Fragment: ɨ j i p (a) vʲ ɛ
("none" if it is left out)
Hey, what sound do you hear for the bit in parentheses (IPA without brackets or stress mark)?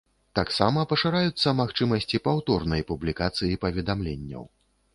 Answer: ɐ